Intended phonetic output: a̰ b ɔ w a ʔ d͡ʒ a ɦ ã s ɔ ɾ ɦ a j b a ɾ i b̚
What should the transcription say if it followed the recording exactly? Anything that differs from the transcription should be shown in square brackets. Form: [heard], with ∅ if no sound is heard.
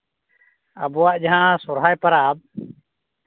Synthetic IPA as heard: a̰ b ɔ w a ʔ d͡ʒ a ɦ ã s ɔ ɾ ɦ a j [p] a ɾ [a] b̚